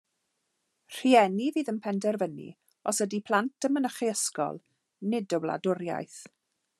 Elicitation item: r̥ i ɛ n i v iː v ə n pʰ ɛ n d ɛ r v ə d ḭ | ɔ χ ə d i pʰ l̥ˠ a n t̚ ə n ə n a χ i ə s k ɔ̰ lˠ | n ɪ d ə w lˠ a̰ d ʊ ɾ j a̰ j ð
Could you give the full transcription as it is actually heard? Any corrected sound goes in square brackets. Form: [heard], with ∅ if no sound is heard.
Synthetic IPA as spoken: r̥ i ɛ n i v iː [ð] ə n pʰ ɛ n d ɛ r v ə [n] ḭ | ɔ [s] ə d i pʰ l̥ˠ a n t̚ ə [m] ə n [ə] χ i ə s k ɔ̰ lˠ | n ɪ d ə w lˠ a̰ d ʊ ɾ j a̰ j [θ]